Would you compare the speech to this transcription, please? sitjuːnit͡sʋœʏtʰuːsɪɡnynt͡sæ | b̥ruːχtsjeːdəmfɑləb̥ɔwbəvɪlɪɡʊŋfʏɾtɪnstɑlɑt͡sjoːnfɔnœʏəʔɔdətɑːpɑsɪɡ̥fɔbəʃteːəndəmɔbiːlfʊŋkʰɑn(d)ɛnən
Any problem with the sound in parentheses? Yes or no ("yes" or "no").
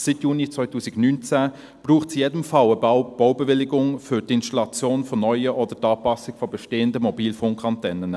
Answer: yes